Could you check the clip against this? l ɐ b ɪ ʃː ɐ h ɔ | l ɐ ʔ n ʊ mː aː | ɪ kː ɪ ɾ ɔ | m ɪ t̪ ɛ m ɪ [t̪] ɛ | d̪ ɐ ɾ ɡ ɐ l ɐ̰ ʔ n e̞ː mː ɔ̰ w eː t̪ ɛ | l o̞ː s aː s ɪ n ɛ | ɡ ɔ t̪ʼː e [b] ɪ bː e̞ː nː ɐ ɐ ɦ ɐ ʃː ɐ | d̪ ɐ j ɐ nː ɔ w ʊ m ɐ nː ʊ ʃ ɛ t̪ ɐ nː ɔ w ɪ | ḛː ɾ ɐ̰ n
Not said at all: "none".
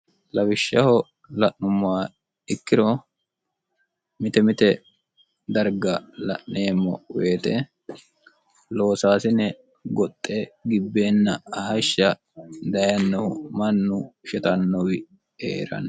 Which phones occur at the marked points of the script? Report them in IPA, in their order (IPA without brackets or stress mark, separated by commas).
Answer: t̪, ɡ